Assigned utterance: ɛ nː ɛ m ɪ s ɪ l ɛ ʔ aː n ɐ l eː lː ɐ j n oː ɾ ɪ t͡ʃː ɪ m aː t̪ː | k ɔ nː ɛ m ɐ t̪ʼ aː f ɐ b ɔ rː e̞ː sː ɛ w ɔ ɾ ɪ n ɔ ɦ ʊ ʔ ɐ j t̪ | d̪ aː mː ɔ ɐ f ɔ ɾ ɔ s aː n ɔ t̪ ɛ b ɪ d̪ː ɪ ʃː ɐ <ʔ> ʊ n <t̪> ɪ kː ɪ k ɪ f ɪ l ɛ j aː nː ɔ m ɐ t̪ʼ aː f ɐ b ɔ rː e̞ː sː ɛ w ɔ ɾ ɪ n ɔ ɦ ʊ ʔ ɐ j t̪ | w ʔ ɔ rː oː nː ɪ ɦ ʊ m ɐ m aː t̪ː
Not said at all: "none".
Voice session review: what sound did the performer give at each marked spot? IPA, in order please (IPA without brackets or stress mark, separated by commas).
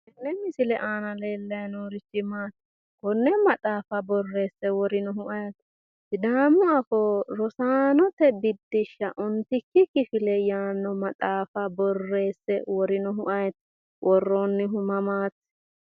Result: ʔ, t̪